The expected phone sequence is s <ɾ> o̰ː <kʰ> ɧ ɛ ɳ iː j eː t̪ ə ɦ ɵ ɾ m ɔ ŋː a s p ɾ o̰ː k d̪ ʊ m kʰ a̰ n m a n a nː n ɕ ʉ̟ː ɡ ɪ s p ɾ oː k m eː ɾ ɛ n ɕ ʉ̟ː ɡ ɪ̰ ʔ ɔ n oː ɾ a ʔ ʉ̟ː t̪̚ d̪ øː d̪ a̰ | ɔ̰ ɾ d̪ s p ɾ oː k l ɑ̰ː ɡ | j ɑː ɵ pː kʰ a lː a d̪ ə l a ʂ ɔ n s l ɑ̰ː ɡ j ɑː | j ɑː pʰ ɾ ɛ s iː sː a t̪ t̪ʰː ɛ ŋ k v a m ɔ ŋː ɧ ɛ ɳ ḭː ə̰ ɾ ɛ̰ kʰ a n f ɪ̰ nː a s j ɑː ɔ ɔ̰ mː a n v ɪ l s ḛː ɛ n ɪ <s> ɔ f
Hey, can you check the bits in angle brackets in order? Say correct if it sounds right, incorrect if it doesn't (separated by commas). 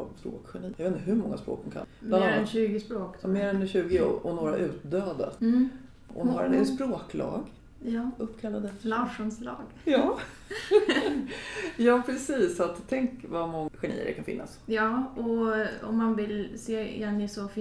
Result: correct, incorrect, correct